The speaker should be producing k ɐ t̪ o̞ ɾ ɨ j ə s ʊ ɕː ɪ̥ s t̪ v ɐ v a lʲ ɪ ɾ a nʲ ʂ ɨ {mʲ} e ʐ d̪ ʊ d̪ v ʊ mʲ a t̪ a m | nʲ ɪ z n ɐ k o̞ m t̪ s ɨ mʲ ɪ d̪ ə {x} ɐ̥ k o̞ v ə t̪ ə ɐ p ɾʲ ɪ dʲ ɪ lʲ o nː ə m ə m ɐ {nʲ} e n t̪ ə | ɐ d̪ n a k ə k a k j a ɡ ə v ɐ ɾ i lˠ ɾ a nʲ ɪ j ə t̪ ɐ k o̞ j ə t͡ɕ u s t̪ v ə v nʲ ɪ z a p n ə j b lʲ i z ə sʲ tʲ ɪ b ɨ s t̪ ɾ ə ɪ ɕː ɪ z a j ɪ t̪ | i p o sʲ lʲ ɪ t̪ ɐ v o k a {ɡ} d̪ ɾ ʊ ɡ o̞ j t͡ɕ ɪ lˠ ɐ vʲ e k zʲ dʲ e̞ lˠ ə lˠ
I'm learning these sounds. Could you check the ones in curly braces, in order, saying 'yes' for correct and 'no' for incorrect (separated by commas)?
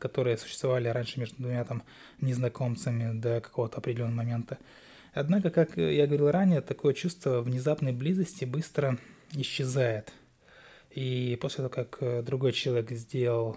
yes, no, no, no